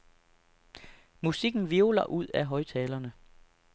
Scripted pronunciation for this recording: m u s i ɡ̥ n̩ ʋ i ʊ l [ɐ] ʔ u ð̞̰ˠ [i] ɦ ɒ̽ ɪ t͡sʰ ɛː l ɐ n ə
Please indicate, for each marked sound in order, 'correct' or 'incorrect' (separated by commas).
correct, incorrect